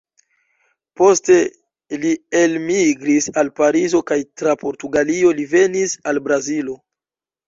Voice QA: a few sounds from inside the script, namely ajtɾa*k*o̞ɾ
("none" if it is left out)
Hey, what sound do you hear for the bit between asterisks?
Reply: p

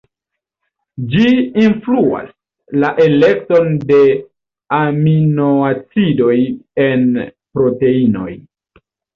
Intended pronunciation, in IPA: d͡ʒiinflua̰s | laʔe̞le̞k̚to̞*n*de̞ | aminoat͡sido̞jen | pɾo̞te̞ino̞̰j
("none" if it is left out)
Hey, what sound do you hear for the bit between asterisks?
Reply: n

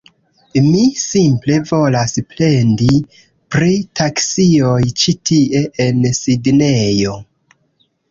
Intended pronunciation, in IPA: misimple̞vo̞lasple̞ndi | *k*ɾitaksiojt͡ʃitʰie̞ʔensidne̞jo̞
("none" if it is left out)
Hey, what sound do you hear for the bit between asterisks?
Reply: p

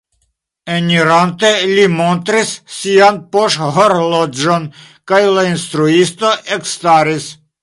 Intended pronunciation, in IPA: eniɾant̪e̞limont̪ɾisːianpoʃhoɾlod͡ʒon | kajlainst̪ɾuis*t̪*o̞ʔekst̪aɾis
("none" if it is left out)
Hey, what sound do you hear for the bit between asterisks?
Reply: t̪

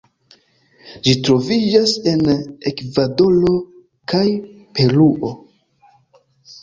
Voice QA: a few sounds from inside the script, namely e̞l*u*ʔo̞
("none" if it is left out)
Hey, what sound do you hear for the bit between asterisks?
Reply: u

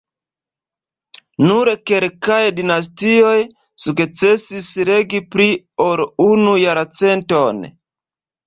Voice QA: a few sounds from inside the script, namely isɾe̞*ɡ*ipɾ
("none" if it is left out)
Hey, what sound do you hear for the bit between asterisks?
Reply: ɡ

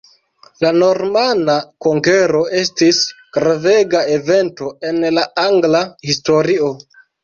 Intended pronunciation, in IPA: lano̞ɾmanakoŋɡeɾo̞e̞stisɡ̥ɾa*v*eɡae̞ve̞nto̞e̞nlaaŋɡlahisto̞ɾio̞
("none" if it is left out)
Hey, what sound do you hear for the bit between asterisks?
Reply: v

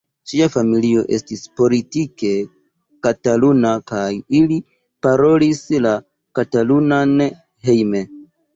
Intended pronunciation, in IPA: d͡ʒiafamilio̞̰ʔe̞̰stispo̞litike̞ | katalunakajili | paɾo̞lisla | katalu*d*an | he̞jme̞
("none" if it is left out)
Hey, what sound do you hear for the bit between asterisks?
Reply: n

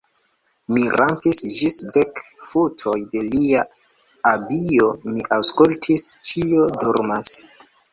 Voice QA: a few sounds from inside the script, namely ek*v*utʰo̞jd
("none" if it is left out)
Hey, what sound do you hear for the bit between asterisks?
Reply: f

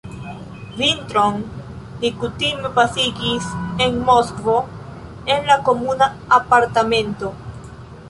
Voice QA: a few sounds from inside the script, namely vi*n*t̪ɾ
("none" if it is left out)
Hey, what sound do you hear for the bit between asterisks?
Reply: n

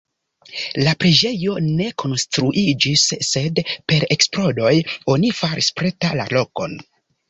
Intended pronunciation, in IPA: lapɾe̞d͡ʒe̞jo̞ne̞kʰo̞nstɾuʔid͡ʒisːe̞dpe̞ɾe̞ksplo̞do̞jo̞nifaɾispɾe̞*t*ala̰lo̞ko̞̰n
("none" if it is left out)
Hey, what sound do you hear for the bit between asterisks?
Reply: t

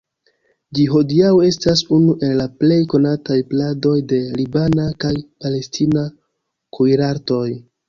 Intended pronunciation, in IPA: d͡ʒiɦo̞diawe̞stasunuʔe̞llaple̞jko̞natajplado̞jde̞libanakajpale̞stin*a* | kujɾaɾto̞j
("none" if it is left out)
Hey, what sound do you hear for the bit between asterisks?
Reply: a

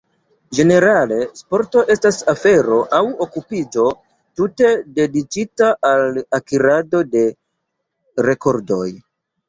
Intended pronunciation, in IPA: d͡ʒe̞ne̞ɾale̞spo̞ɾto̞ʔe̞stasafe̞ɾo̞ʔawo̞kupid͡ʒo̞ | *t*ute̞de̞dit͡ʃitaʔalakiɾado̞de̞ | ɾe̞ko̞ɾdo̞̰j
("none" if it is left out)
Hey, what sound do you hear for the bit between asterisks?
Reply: t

